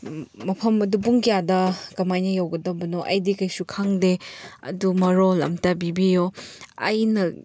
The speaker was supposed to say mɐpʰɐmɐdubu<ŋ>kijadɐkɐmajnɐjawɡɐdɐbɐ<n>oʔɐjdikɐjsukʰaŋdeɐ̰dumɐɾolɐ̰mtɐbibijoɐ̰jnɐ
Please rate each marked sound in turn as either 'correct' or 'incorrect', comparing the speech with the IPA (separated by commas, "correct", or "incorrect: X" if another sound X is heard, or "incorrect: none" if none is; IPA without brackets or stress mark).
correct, correct